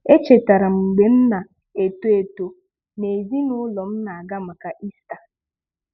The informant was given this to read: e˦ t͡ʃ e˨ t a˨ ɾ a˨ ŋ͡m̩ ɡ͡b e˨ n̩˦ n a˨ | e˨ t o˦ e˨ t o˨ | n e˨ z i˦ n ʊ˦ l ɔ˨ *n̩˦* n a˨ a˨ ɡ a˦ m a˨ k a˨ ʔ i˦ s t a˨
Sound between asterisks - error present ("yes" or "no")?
yes